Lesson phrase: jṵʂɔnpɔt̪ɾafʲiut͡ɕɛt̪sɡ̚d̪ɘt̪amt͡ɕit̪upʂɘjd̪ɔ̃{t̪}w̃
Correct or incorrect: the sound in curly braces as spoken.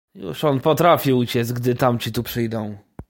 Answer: incorrect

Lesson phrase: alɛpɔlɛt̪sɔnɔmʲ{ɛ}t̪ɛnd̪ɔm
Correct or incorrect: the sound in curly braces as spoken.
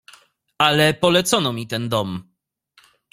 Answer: incorrect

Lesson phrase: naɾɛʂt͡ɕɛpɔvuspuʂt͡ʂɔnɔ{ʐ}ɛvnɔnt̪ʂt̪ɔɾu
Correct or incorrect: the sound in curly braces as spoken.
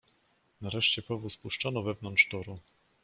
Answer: incorrect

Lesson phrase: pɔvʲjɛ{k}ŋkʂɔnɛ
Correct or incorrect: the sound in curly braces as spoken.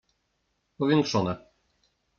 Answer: incorrect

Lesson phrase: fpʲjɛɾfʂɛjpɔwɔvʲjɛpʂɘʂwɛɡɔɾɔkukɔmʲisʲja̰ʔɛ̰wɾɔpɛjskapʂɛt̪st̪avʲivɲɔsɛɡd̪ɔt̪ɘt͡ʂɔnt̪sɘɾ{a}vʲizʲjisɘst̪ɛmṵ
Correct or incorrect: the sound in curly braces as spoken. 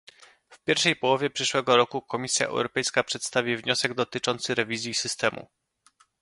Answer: incorrect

